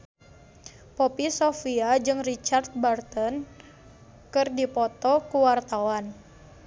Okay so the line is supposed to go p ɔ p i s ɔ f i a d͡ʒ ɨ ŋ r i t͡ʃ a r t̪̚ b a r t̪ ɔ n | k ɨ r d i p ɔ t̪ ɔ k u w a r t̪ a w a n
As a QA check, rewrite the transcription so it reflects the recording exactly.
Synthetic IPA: p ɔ p i s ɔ f i a d͡ʒ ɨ ŋ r i t͡ʃ a r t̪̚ b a r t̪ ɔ n | k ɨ r d i p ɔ t̪ ɔ k u w a r t̪ a w a n